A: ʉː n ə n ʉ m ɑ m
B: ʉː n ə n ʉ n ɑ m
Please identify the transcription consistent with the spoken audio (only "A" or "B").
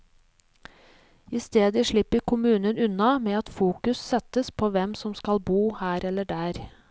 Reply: B